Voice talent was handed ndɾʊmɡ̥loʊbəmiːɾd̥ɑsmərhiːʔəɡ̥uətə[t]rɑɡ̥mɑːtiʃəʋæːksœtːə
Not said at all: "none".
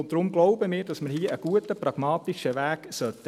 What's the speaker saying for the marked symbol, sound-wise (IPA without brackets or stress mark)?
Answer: p